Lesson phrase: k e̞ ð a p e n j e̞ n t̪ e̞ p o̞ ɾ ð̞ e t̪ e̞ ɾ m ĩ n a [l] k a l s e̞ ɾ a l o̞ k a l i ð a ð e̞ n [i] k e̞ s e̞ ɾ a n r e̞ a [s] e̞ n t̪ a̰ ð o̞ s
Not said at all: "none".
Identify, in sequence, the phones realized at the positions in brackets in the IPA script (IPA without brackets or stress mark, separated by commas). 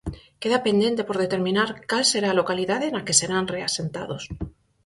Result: ɾ, a, s